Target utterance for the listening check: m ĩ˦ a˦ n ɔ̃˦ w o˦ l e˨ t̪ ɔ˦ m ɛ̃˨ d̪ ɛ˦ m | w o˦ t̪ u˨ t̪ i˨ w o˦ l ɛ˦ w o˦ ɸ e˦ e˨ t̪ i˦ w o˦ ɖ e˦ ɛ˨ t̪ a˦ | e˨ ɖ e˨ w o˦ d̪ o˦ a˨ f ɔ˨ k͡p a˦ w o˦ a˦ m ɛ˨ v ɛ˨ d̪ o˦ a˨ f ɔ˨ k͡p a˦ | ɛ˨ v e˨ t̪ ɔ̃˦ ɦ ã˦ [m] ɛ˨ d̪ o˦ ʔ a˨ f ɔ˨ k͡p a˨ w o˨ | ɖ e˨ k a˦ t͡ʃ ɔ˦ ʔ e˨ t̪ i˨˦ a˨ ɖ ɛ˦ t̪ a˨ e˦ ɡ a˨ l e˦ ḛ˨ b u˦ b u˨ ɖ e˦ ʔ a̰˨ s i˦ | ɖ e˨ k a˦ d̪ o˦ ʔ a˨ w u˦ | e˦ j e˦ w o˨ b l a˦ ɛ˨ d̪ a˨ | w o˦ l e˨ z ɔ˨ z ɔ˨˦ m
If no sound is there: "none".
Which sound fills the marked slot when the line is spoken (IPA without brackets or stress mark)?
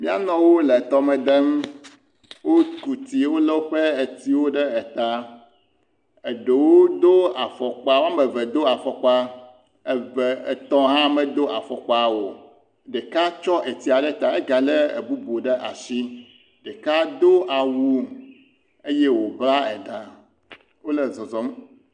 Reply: m